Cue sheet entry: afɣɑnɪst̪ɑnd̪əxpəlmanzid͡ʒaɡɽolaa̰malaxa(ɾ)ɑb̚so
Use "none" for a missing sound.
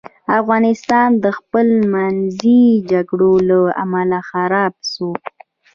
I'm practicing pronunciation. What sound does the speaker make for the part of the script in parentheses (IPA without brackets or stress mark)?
ɾ